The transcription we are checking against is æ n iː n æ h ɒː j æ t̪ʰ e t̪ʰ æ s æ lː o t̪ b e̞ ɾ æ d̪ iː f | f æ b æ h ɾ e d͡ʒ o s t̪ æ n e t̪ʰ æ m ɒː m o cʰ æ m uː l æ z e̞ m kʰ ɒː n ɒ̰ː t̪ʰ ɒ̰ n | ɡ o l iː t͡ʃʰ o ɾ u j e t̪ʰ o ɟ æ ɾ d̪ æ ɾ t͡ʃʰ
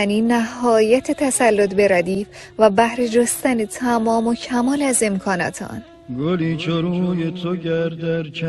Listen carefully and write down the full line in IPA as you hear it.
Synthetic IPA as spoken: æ n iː n æ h ɒː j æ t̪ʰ e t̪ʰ æ s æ lː o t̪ b e̞ ɾ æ d̪ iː f | v æ b æ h ɾ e d͡ʒ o s t̪ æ n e t̪ʰ æ m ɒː m o cʰ æ m ɒː l æ z e̞ m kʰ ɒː n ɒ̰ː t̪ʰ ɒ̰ n | ɡ o l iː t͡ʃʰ o ɾ u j e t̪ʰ o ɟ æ ɾ d̪ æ ɾ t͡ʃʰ